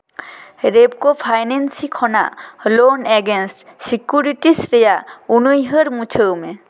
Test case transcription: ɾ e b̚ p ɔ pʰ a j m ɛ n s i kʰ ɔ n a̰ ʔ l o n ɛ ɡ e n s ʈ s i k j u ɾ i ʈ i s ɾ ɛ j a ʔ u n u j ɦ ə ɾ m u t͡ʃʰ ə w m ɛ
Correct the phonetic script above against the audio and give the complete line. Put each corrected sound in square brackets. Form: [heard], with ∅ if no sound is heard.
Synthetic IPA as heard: ɾ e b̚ [k] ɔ pʰ a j [n] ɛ n s i kʰ ɔ n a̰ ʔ l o n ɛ ɡ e n s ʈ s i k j u ɾ i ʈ i s ɾ ɛ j a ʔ u n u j ɦ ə ɾ m u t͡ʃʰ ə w m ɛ

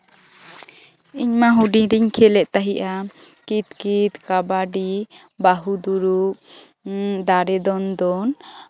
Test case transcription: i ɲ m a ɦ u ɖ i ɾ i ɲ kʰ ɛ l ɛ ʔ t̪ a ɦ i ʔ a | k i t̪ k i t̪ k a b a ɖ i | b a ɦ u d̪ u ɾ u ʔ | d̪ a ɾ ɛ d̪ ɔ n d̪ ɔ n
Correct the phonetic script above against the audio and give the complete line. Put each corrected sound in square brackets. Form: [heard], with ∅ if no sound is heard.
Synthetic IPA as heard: i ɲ m a ɦ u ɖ i ɾ i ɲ kʰ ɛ l ɛ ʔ t̪ a ɦ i ʔ a | k i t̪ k i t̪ k a b a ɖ i | b a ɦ u d̪ u ɾ u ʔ | d̪ a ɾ ɛ d̪ ɔ n d̪ ɔ n

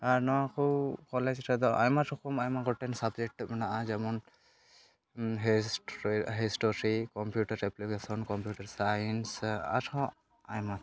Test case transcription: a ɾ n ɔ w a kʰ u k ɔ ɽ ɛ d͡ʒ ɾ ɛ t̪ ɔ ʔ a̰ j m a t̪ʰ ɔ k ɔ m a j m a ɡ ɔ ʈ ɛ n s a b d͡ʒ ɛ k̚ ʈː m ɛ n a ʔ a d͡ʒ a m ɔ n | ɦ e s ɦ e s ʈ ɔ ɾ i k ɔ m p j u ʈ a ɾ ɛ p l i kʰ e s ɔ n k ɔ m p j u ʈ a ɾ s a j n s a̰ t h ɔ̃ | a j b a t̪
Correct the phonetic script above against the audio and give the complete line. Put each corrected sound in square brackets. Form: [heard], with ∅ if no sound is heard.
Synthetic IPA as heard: a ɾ n ɔ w a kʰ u k ɔ [l] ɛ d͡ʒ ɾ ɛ [d̪] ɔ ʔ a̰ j m a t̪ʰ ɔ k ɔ m a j m a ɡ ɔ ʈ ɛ n s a b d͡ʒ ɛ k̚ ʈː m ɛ n a ʔ a d͡ʒ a m ɔ n | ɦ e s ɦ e s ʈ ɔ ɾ i k ɔ m p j u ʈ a ɾ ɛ p l i [k] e s ɔ n k ɔ m p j u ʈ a ɾ s a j n s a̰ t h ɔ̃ | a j [m] a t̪

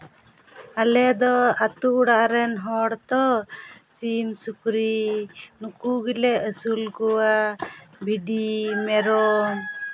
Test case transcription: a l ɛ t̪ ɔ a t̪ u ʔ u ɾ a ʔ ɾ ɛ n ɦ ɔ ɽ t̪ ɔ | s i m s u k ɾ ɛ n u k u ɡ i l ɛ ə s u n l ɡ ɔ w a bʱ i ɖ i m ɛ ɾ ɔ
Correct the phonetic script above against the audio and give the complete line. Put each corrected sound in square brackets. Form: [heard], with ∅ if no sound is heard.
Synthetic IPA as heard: a l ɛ [d̪] ɔ a t̪ u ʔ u [ɽ] a ʔ ɾ ɛ n ɦ ɔ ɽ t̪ ɔ | s i m s u k ɾ [i] n u k u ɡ i l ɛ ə s u [∅] l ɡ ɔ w a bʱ i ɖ i m ɛ ɾ ɔ

